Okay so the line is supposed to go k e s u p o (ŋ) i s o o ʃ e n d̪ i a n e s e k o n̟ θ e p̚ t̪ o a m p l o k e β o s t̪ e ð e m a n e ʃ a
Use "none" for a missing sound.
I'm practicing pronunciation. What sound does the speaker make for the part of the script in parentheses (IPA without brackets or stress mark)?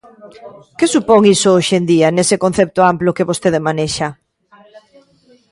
ŋ